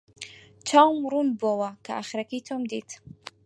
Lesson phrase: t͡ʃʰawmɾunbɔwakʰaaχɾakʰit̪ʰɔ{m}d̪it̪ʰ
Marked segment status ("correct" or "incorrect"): correct